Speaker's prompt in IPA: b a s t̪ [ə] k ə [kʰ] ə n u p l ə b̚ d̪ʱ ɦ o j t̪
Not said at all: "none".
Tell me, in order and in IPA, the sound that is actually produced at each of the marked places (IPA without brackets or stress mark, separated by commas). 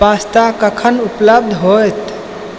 a, kʰ